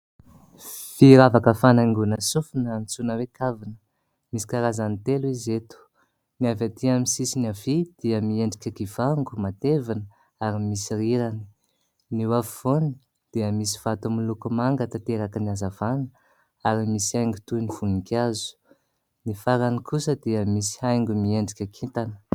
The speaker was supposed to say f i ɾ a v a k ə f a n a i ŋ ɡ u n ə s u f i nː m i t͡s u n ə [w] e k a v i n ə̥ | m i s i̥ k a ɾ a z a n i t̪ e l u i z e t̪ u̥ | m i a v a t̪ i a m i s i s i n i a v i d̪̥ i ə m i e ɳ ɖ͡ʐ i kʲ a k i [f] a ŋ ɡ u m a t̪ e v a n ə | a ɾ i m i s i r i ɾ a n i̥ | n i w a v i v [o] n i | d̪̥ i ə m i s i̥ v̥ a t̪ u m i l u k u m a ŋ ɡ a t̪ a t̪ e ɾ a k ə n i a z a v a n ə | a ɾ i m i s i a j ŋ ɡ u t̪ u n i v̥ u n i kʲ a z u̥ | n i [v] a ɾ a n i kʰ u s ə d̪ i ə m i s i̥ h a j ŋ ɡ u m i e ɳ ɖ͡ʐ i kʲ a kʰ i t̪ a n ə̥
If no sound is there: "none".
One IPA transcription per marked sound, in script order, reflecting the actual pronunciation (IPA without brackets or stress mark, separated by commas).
w, v, o, f